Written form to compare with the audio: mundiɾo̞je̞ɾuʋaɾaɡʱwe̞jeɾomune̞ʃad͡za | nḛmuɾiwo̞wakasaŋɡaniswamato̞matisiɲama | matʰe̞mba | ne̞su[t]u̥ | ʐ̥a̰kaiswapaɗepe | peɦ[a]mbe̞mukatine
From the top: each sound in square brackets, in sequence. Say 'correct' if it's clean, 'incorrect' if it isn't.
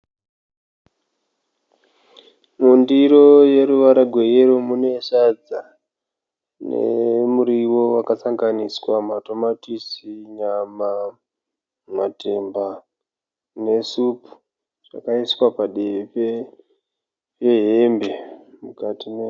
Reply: incorrect, incorrect

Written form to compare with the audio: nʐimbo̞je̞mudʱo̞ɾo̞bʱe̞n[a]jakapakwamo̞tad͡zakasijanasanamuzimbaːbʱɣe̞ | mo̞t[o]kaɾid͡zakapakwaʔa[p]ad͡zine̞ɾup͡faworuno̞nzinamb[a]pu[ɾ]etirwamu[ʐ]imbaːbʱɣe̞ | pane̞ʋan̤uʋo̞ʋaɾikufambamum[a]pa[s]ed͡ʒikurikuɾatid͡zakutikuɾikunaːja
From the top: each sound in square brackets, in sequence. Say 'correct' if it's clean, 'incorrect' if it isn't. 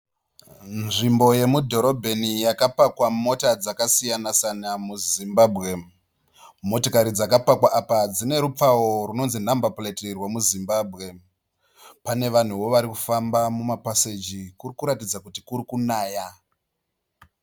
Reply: incorrect, correct, correct, correct, incorrect, incorrect, correct, correct

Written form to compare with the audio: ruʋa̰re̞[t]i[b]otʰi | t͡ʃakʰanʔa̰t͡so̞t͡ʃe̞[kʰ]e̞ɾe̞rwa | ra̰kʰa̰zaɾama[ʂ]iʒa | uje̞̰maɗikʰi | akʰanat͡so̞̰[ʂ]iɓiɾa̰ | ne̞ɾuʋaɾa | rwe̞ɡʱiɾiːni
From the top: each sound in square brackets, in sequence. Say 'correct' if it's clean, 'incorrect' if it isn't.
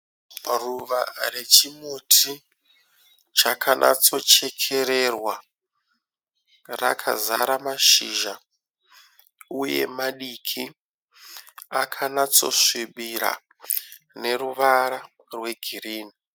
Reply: incorrect, incorrect, correct, incorrect, correct

